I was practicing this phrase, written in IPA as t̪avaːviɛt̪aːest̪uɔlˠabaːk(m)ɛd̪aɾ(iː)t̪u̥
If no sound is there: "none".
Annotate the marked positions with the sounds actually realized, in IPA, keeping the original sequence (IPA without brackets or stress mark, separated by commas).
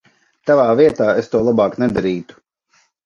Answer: n, iː